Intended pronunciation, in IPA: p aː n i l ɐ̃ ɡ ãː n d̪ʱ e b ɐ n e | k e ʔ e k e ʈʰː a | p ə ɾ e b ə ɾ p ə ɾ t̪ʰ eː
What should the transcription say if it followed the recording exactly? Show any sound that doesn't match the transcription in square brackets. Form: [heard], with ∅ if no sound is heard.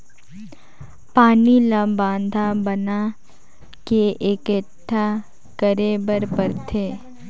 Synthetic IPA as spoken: p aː n i l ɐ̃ [b] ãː n d̪ʱ [a] b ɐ n [a] | k e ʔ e k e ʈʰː a | [k] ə ɾ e b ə ɾ p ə ɾ t̪ʰ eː